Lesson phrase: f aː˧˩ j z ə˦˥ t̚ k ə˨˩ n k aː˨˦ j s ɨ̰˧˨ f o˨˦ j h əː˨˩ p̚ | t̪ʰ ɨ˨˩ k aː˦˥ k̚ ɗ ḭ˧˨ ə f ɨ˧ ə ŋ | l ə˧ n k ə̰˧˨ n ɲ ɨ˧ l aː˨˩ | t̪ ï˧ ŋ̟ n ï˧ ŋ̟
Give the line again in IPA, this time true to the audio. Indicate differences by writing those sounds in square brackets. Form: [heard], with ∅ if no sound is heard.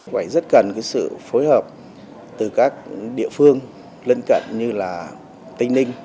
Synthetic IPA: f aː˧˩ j z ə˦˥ t̚ k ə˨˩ n k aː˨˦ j s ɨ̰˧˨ f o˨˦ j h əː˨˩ p̚ | [t̪] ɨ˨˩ k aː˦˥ k̚ ɗ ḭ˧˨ ə f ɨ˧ ə ŋ | l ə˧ n k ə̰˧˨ n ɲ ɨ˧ l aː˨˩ | t̪ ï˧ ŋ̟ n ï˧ ŋ̟